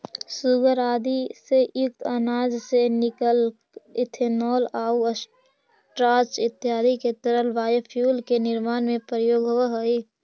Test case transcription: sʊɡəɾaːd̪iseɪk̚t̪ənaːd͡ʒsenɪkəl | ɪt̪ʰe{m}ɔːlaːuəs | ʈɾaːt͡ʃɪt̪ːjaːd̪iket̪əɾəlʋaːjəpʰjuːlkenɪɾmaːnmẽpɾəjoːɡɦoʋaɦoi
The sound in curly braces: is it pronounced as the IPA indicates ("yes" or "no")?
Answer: no